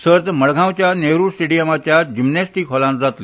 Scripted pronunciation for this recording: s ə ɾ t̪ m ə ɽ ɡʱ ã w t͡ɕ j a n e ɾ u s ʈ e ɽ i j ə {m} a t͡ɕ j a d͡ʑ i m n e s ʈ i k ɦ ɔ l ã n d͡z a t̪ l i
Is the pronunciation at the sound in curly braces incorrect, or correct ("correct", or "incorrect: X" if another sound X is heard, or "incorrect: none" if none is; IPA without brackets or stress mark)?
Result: correct